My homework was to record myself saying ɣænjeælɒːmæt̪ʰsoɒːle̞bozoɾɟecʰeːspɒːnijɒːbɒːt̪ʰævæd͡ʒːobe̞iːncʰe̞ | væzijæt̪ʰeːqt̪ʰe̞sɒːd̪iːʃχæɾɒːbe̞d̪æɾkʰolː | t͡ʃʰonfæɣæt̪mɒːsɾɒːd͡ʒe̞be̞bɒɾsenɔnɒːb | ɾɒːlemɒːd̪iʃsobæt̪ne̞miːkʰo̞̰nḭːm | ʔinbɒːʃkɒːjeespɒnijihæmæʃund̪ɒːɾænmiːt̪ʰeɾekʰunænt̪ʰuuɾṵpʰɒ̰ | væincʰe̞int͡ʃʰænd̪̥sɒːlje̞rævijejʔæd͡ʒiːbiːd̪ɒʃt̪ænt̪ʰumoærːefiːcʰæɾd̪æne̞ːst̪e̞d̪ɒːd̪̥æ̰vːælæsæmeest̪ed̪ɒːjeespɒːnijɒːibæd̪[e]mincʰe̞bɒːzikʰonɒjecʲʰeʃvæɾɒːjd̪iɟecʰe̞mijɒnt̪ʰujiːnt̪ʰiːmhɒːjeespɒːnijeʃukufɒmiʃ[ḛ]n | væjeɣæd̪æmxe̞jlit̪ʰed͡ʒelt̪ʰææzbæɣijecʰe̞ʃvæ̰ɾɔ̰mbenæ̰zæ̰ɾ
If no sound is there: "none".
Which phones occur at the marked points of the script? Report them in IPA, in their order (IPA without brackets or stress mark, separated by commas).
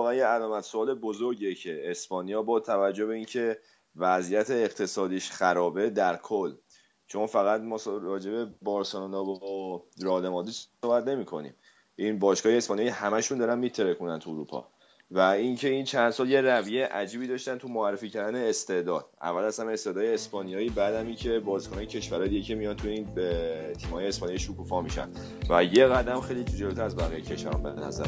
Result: æ, æ̰